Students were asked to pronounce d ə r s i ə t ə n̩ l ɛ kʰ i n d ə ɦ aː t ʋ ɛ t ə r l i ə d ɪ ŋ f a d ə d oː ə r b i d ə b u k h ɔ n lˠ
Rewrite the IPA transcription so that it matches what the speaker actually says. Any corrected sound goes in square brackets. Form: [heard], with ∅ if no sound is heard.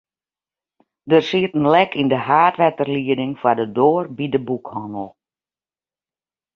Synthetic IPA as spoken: d ə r s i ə t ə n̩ l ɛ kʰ i n d ə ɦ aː t ʋ ɛ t ə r l i ə d ɪ ŋ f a d ə d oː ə r b i d ə b u k h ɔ n lˠ